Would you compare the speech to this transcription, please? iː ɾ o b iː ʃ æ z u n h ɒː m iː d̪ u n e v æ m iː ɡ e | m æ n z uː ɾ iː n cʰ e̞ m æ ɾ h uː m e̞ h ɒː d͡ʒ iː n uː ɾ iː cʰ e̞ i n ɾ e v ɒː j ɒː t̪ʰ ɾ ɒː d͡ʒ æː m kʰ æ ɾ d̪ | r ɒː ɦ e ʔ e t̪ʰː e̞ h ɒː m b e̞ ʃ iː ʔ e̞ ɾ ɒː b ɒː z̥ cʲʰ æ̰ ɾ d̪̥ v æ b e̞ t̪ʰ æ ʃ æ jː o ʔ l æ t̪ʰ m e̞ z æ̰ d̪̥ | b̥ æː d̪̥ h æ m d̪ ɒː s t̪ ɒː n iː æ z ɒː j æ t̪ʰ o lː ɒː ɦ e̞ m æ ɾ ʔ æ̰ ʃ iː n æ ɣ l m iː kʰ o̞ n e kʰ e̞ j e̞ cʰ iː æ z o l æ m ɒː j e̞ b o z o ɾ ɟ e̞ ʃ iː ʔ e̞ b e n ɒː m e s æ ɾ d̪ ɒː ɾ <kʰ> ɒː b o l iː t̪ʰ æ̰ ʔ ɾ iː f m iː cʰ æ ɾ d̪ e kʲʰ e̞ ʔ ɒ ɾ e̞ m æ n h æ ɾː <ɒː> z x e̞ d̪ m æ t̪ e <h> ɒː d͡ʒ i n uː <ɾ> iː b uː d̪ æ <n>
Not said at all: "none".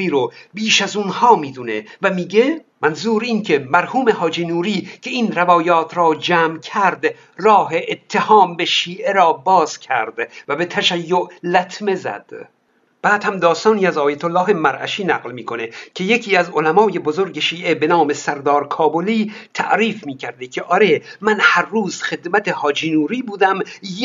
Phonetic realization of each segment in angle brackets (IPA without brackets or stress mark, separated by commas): kʰ, uː, h, ɾ, m